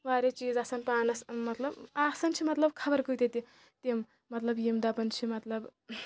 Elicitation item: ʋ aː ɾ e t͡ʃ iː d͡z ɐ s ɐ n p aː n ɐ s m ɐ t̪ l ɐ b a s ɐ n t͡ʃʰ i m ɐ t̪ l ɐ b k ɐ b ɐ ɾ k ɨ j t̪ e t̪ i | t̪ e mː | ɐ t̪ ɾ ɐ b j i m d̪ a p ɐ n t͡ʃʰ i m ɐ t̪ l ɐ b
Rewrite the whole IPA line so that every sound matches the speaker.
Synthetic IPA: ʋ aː ɾ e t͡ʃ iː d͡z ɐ s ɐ n p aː n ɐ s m ɐ t̪ l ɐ b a s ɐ n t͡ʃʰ i m ɐ t̪ l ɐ b kʰ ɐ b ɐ ɾ k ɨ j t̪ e t̪ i | t̪ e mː | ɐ t̪ l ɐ b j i m d̪ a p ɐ n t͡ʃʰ i m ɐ t̪ l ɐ b